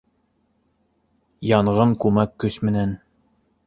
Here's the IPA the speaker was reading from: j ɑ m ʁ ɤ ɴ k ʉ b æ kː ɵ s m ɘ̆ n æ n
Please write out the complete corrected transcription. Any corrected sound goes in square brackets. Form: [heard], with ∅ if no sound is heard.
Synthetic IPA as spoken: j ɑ [ɴ] ʁ ɤ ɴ k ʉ [m] æ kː ɵ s m ɘ̆ n æ n